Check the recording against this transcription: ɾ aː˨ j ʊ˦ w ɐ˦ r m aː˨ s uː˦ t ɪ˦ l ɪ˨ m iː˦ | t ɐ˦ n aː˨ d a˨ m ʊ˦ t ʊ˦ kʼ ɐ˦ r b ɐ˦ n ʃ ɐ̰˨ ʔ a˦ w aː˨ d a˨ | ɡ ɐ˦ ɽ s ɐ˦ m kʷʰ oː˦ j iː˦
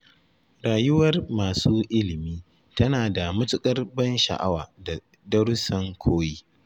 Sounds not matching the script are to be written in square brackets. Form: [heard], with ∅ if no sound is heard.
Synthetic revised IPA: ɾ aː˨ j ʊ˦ w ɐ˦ r m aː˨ s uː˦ [ʔ] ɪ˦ l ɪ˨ m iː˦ | t ɐ˦ n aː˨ d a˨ m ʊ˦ t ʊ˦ kʼ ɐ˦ r b ɐ˦ n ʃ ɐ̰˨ ʔ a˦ w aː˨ d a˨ | [d] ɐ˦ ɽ s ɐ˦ [ŋ] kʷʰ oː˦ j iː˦

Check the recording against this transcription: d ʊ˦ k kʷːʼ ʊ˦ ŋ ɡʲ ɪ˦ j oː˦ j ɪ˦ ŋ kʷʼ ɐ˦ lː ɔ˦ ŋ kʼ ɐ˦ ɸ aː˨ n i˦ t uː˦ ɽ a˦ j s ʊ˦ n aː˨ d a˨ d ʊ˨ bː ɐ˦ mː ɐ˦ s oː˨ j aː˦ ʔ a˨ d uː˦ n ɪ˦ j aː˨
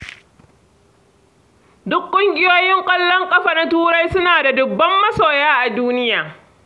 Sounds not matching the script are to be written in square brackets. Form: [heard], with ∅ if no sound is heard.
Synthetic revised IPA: d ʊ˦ k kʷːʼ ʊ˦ ŋ ɡʲ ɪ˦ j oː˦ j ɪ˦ ŋ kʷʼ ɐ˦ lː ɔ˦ ŋ kʼ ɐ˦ ɸ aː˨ n [a˦] t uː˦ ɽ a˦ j s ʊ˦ n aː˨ d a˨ d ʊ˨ bː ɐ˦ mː ɐ˦ s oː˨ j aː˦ ʔ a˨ d uː˦ n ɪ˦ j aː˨

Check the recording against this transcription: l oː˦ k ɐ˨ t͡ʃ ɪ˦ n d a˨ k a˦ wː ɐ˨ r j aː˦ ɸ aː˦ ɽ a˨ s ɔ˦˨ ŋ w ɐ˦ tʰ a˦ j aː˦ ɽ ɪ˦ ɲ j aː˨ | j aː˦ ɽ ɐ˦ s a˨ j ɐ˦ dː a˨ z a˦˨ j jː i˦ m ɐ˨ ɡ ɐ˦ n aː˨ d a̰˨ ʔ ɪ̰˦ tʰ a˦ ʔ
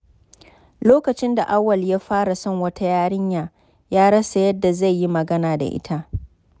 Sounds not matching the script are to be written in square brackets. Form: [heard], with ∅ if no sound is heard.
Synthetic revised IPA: l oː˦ k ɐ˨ t͡ʃ ɪ˦ n d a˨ [ʔ] a˦ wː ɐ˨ [l] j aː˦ ɸ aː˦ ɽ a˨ s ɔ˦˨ ŋ w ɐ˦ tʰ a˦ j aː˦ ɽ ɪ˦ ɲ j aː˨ | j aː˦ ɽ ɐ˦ s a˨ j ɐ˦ dː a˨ z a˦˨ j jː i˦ m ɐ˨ ɡ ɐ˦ n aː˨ d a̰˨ ʔ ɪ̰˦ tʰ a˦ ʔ

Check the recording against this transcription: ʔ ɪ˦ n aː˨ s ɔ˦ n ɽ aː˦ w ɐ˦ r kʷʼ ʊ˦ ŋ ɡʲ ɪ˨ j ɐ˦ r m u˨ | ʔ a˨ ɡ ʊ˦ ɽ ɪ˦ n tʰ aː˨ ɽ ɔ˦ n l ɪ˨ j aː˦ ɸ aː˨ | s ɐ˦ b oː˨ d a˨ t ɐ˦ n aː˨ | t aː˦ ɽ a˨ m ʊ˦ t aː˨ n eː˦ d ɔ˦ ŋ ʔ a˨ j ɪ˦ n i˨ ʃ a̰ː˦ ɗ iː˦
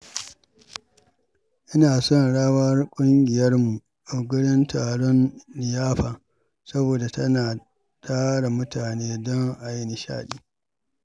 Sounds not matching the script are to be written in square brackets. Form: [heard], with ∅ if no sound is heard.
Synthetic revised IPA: ʔ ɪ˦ n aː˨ s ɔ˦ n ɽ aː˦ w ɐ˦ r kʷʼ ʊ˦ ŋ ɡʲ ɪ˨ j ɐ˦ r m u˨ | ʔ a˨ ɡ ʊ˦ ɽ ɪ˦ n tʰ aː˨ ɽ ɔ˦ n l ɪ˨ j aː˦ ɸ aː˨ | s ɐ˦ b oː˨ d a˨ t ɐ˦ n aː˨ | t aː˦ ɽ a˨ m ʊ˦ t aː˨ n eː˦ d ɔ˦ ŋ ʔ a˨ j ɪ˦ n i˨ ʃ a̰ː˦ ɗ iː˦

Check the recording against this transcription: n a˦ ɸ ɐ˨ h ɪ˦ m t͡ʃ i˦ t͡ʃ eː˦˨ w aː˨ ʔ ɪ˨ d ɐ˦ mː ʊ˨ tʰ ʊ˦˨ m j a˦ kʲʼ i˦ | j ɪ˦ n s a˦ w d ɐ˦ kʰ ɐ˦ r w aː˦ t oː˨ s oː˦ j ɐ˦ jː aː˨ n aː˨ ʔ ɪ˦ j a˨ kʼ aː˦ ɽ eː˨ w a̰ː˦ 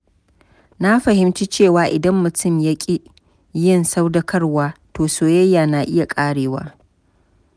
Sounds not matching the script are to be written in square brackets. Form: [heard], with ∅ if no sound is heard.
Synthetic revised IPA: n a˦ ɸ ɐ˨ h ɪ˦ m t͡ʃ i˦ t͡ʃ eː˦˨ w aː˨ ʔ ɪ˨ d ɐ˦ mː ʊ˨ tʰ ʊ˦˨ m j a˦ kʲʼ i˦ | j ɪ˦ n s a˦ w d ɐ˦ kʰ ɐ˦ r w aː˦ t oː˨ s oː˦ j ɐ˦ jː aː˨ n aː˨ ʔ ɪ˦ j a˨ kʼ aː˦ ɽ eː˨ w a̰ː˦

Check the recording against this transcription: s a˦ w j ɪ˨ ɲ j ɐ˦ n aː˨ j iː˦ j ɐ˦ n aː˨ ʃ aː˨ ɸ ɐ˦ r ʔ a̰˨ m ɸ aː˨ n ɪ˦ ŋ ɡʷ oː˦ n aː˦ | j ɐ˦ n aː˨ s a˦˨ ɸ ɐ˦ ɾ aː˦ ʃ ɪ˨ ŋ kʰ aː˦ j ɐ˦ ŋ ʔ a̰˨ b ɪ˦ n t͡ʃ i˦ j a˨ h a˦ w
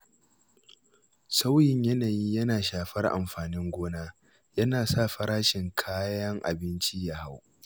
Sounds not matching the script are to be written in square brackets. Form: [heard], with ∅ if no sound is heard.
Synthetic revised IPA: s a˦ w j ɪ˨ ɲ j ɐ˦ n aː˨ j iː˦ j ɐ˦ n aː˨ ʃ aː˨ ɸ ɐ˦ r ʔ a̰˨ m ɸ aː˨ n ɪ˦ ŋ ɡʷ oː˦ n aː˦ | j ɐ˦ n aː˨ s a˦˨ ɸ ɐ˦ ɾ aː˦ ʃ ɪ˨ ŋ kʰ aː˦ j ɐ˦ ŋ ʔ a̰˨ b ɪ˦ n t͡ʃ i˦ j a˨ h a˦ w

